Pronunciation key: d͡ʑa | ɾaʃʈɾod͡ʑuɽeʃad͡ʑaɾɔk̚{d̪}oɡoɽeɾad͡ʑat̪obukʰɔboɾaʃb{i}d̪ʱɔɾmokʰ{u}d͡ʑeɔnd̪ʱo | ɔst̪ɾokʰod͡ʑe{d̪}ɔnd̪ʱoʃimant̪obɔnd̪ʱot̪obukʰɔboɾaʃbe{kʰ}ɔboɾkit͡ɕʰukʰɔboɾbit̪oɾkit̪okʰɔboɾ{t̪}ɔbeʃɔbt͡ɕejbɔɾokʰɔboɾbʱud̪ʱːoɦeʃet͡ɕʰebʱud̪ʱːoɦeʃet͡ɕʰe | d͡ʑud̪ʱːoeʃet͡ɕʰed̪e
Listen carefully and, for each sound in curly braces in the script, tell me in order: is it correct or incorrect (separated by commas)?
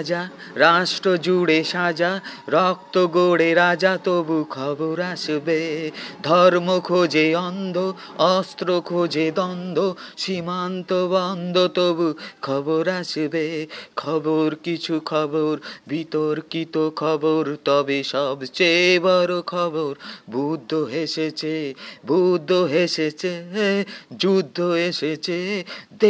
incorrect, incorrect, incorrect, correct, correct, correct